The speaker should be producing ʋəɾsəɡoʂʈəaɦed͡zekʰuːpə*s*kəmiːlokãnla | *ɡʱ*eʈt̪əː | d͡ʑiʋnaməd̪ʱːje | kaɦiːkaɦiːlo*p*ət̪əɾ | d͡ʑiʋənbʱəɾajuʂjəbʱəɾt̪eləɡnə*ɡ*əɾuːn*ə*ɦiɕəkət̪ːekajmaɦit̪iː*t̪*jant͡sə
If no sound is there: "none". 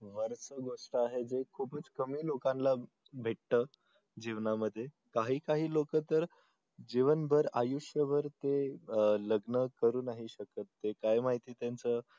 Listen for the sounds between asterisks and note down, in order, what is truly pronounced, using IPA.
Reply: t͡s, bʱ, k, k, a, t̪

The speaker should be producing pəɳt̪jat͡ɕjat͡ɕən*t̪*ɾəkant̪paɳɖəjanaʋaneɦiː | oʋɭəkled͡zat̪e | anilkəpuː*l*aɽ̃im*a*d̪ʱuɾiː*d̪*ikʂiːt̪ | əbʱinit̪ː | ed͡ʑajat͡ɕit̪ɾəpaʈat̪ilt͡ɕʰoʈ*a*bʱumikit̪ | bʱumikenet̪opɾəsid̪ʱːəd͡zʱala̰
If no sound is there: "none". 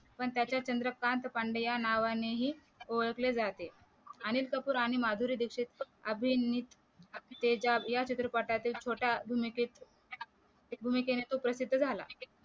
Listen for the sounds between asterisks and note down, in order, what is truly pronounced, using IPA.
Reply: d̪, ɾ, a, d̪, a

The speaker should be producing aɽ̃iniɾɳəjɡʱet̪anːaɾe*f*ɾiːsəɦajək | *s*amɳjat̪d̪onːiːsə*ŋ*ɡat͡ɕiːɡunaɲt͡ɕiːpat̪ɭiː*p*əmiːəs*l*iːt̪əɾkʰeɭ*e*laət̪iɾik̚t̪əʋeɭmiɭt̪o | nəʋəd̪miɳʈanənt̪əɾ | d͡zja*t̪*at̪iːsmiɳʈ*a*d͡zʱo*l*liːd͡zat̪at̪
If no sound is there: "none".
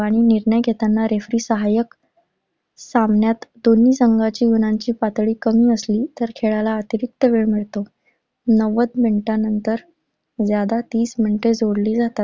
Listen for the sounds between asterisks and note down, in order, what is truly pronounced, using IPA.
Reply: f, s, ŋ, k, l, a, d̪, e, ɽ

